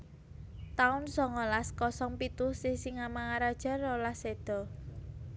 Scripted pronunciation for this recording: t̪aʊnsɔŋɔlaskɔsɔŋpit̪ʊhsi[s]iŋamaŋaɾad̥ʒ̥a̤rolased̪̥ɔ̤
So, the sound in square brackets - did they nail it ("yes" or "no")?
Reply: yes